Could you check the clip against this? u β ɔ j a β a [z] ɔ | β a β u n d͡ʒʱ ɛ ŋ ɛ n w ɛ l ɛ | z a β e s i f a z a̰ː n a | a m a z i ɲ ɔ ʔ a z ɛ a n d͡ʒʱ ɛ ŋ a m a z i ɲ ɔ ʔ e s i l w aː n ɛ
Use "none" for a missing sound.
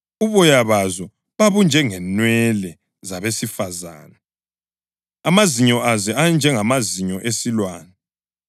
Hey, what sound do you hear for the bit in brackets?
z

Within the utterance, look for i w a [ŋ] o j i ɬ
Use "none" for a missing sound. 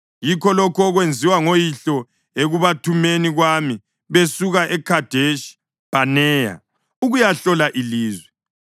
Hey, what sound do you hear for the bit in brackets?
ŋ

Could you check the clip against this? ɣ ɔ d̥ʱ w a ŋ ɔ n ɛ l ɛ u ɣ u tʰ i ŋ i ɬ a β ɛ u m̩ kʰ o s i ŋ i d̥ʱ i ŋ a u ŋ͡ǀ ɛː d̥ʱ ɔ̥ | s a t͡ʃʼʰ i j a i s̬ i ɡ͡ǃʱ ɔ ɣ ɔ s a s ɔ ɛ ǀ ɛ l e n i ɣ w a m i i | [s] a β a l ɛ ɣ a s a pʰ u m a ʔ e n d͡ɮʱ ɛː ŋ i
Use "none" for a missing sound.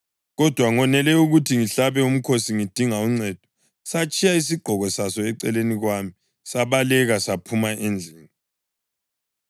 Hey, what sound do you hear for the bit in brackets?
s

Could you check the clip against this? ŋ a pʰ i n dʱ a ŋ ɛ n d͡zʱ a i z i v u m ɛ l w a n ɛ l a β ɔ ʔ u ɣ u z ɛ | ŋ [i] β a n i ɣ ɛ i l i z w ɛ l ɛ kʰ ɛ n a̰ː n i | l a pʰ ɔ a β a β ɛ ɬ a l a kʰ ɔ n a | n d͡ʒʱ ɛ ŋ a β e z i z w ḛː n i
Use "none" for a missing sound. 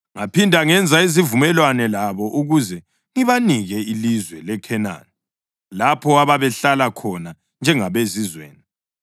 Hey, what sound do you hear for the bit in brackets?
i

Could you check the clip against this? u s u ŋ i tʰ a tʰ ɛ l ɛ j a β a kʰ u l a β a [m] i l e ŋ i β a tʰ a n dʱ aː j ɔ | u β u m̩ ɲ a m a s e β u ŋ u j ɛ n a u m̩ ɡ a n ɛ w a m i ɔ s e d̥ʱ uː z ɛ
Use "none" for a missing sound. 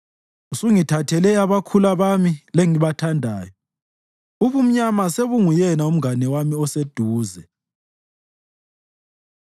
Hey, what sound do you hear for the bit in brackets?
m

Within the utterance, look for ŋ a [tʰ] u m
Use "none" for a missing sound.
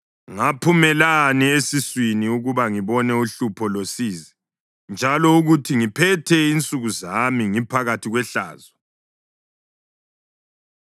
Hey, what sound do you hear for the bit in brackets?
pʰ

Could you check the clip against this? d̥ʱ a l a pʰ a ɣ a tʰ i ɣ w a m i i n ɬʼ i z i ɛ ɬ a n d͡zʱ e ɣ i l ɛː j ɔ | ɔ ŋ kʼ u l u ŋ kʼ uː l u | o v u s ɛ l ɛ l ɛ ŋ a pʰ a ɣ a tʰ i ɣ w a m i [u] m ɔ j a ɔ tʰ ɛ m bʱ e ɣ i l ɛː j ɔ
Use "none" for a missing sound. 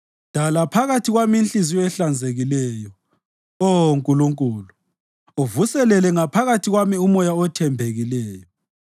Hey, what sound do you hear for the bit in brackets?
u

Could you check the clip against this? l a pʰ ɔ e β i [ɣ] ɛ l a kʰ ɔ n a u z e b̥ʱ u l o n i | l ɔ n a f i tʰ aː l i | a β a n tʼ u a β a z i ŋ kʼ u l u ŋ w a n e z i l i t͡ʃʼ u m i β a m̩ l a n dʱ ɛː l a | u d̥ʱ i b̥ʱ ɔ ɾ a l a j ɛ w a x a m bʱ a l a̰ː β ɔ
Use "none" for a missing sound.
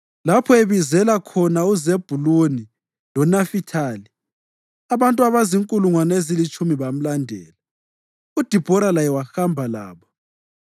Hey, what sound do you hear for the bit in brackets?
z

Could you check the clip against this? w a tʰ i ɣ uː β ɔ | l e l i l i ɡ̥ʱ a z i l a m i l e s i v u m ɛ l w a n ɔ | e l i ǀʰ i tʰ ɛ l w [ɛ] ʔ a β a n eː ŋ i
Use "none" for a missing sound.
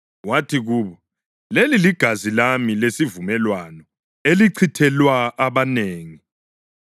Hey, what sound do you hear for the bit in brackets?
a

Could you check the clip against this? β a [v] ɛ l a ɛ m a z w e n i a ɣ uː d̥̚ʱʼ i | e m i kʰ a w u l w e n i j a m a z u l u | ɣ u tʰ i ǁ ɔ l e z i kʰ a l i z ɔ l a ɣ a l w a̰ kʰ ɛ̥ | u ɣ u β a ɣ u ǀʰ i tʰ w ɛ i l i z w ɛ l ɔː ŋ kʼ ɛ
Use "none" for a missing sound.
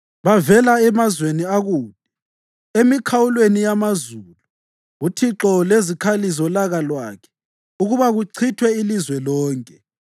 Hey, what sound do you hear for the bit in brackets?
v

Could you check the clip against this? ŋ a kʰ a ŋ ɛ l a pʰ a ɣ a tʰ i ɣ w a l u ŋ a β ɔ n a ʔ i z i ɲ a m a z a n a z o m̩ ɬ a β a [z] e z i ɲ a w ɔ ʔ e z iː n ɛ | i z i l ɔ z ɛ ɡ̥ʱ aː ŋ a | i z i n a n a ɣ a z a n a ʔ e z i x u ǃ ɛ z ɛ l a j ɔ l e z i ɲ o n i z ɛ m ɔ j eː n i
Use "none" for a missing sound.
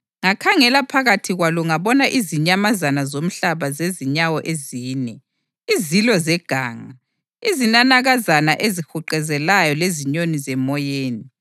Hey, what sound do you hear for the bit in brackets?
z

